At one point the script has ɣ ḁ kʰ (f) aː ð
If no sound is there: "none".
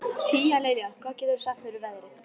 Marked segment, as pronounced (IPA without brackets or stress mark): v